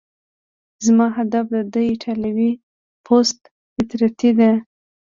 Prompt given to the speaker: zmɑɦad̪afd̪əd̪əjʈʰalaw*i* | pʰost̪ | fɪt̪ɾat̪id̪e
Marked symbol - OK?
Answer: yes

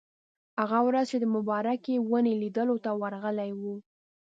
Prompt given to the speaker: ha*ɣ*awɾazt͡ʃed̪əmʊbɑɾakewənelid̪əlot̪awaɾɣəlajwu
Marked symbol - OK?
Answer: yes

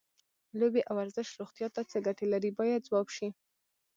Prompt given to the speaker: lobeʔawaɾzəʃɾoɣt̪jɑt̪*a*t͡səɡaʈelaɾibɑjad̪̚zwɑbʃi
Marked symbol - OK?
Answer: yes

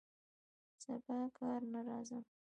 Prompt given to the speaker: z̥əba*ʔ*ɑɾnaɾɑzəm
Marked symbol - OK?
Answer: no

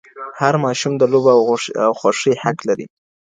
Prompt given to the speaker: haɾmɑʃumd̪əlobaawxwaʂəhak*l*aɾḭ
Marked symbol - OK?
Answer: yes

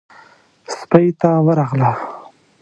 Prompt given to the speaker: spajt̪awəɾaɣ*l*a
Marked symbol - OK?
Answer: yes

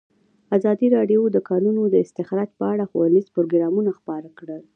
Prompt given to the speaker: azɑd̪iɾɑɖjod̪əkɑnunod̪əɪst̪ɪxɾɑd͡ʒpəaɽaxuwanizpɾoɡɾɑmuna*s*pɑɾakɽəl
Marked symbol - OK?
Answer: no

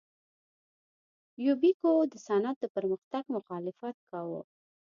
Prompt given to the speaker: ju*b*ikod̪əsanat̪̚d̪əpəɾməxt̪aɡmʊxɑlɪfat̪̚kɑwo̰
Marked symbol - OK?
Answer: yes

